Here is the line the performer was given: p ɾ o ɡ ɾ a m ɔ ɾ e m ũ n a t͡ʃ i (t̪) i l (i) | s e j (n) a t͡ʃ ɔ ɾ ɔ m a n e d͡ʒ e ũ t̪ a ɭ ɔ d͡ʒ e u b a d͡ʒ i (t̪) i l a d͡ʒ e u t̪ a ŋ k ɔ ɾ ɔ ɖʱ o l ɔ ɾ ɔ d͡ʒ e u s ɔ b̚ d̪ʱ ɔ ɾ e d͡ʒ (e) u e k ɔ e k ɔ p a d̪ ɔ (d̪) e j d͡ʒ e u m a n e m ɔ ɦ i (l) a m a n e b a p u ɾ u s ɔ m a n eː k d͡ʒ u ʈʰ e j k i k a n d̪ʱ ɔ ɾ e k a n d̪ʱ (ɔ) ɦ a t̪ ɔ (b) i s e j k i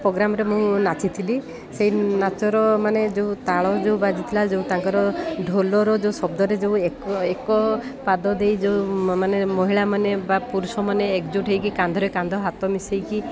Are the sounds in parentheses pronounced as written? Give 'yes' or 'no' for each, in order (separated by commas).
no, yes, yes, no, yes, yes, no, yes, no